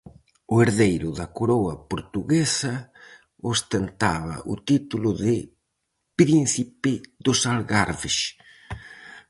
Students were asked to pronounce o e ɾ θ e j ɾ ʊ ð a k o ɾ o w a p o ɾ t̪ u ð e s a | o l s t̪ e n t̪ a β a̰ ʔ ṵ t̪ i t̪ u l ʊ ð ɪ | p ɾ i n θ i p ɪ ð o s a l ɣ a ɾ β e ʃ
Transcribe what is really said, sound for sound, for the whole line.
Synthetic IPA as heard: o e ɾ ð e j ɾ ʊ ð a k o ɾ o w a p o ɾ t̪ u ɣ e s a | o s t̪ e n t̪ a β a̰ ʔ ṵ t̪ i t̪ u l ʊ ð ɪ | p ɾ i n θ i p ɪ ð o s a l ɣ a ɾ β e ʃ

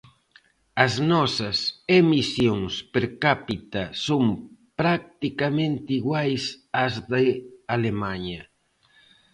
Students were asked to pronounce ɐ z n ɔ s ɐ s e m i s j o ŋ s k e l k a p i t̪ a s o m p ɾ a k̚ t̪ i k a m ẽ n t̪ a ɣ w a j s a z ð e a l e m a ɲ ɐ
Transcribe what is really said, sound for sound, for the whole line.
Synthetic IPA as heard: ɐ z n ɔ s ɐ s e m i s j o ŋ s p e ɾ k a p i t̪ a s o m p ɾ a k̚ t̪ i k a m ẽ n t̪ i ɣ w a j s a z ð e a l e m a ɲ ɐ

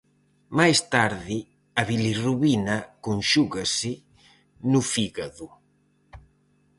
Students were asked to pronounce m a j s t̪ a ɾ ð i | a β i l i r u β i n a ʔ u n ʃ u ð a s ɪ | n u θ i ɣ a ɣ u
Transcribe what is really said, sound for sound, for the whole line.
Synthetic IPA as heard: m a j s t̪ a ɾ ð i | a β i l i r u β i n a k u n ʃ u ɣ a s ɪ | n u f i ɣ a ð u

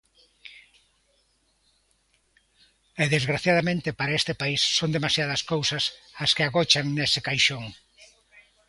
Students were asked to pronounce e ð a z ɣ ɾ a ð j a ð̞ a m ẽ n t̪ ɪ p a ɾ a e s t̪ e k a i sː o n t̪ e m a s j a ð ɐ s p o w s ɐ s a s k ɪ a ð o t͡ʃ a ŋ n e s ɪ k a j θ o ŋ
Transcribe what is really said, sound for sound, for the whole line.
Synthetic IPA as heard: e ð e z ɣ ɾ a θ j a ð̞ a m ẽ n t̪ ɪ p a ɾ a e s t̪ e p a i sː o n d̪ e m a s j a ð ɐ s k o w s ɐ s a s k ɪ a ɣ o t͡ʃ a ŋ n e s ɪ k a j ʃ o ŋ

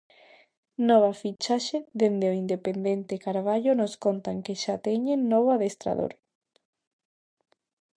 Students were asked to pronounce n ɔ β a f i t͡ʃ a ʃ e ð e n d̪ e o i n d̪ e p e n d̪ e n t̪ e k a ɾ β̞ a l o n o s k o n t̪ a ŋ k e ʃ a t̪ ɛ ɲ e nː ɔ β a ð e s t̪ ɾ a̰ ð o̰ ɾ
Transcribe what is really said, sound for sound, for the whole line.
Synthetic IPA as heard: n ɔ β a f i t͡ʃ a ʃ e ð e n d̪ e o i n d̪ e p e n d̪ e n t̪ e k a ɾ β̞ a ʎ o n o s k o n t̪ a ŋ k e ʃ a t̪ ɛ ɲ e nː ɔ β a ð e s t̪ ɾ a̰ ð o̰ ɾ

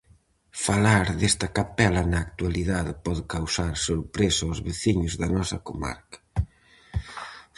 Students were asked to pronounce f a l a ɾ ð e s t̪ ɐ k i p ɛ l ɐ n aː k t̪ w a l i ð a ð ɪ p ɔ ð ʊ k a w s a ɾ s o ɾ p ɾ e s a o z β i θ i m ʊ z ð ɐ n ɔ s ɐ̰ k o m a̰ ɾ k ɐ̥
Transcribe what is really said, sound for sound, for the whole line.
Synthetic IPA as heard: f a l a ɾ ð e s t̪ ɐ k a p ɛ l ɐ n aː k t̪ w a l i ð a ð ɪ p ɔ ð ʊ k a w s a ɾ s o ɾ p ɾ e s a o z β e θ i ɲ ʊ z ð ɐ n ɔ s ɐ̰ k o m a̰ ɾ k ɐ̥

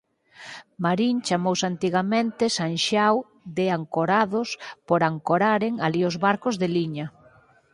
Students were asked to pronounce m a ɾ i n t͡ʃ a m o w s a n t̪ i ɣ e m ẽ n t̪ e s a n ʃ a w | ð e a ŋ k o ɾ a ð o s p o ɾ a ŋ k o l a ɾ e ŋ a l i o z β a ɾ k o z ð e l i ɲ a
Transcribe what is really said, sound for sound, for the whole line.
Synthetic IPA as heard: m a ɾ i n t͡ʃ a m o w s a n t̪ i ɣ a m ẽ n t̪ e s a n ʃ a w | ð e a ŋ k o ɾ a ð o s p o ɾ a ŋ k o ɾ a ɾ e ŋ a l i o z β a ɾ k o z ð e l i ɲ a

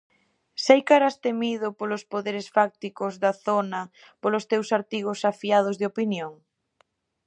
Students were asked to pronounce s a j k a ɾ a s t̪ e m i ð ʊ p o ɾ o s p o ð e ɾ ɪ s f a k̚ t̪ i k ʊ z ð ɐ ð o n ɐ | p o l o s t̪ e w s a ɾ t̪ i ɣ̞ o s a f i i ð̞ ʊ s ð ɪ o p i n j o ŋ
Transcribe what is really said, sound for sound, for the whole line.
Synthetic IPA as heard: s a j k a ɾ a s t̪ e m i ð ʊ p o l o s p o ð e ɾ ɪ s f a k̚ t̪ i k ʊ z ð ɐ θ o n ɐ | p o l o s t̪ e w s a ɾ t̪ i ɣ̞ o s a f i a ð̞ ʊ z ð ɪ o p i n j o ŋ

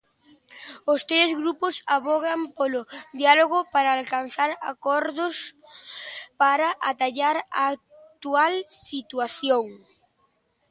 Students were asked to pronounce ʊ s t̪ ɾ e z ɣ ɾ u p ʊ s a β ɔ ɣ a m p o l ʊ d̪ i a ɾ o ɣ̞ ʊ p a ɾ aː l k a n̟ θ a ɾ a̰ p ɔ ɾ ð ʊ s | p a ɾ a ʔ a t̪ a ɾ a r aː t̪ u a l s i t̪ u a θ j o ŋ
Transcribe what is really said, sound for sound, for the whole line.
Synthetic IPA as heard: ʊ s t̪ ɾ e z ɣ ɾ u p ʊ s a β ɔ ɣ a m p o l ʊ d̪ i a l o ɣ̞ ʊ p a ɾ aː l k a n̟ θ a ɾ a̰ k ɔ ɾ ð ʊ s | p a ɾ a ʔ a t̪ a ʎ a ɾ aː t̪ u a l s i t̪ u a θ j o ŋ

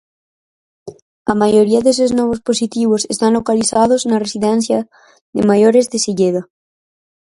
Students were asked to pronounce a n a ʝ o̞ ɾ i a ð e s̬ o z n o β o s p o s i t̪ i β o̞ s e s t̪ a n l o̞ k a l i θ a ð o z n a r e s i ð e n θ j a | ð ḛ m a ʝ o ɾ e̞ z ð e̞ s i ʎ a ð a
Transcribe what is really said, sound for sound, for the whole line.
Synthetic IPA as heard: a m a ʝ o̞ ɾ i a ð e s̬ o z n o β o s p o s i t̪ i β o̞ s e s t̪ a n l o̞ k a l i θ a ð o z n a r e s i ð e n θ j a | ð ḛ m a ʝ o ɾ e̞ z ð e̞ s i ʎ e ð a

